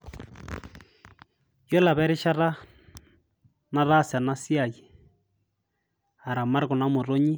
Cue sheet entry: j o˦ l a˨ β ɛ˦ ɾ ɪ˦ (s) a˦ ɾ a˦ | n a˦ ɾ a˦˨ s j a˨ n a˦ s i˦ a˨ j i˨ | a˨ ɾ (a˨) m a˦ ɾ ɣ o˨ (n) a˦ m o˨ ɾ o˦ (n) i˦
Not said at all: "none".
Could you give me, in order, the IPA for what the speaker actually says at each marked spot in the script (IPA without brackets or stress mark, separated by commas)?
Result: ʃ, a˨, n, ɲ